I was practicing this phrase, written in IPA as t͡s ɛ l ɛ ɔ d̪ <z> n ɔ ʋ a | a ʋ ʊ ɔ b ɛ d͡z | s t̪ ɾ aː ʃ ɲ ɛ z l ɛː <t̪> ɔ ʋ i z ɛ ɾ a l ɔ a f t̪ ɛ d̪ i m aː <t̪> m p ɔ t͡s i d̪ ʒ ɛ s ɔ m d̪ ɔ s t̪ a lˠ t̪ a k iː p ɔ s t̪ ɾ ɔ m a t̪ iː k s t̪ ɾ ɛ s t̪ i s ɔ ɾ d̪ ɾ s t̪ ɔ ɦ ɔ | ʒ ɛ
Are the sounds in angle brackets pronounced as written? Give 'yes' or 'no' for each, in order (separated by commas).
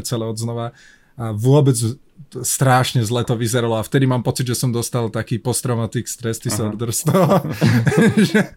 yes, yes, no